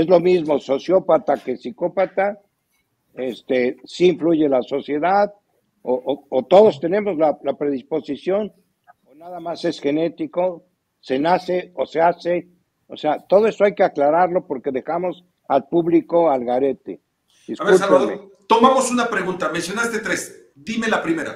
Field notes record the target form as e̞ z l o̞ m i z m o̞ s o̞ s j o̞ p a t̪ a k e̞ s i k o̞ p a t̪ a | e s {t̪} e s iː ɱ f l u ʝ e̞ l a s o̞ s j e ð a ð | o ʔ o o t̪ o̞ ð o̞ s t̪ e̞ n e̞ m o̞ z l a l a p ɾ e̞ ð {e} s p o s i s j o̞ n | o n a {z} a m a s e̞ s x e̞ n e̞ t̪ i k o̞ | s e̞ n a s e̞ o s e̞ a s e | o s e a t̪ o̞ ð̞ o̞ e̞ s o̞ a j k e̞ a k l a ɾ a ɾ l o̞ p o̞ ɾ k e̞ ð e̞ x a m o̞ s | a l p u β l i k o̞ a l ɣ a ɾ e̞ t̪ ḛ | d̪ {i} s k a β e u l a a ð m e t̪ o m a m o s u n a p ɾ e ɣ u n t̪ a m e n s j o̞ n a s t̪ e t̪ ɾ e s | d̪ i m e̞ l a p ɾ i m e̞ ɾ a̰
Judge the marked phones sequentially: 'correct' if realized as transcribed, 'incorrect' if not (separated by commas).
correct, incorrect, incorrect, correct